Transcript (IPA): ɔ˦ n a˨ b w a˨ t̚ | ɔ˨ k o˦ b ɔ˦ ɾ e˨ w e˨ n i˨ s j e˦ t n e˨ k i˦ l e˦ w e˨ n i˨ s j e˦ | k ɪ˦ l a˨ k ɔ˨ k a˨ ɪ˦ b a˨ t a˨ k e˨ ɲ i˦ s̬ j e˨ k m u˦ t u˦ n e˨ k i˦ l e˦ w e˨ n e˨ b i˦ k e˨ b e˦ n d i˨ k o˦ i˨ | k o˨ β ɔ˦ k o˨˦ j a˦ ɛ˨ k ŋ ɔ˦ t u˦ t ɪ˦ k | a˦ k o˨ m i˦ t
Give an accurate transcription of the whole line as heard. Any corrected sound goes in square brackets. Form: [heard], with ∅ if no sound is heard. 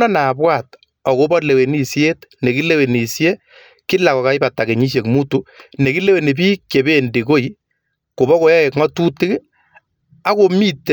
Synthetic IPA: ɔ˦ n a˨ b w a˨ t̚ | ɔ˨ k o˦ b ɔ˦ [l] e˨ w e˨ n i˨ s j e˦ t n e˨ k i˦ l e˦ w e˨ n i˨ s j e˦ | k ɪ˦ l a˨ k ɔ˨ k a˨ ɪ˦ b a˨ t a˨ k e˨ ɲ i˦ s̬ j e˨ k m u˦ t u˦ n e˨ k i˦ l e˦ w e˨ n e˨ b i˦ k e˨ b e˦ n d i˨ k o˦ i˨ | k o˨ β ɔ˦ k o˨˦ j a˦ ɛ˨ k ŋ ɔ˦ t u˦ t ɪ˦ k | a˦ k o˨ m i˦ t